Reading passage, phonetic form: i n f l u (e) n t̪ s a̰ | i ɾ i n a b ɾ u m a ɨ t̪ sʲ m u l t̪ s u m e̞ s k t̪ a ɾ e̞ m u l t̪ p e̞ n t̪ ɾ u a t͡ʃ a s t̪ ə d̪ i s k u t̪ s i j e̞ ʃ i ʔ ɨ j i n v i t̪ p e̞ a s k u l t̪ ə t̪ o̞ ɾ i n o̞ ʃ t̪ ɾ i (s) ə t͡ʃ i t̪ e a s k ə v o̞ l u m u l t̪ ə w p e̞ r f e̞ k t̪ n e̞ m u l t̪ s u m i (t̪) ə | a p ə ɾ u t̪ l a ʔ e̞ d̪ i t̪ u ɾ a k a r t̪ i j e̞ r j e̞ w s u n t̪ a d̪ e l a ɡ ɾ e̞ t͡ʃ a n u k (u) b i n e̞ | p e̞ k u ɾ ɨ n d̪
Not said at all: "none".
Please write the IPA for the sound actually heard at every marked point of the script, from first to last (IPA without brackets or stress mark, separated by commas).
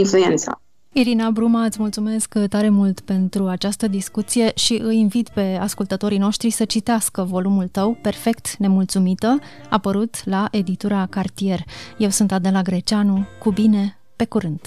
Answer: e, s, t̪, u